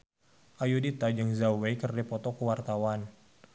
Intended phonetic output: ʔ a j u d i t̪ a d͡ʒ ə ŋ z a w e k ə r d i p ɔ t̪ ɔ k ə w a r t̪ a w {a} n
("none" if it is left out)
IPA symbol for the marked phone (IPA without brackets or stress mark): a